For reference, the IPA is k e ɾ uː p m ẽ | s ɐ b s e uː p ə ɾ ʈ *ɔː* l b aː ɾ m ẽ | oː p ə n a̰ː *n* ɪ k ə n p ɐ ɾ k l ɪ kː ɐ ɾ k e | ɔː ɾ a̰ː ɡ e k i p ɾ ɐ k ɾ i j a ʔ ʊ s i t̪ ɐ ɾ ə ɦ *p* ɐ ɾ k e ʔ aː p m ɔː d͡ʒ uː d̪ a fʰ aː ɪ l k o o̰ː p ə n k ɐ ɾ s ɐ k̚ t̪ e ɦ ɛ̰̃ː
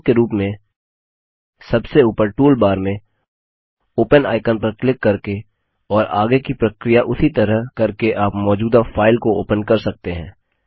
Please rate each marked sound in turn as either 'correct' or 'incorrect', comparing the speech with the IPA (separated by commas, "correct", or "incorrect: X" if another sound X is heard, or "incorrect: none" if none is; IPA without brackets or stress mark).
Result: incorrect: uː, incorrect: none, incorrect: k